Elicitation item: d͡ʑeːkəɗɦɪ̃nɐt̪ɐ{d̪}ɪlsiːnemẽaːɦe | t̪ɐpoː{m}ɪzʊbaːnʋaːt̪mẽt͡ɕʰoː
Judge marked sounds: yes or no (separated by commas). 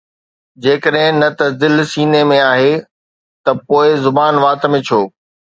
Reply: yes, no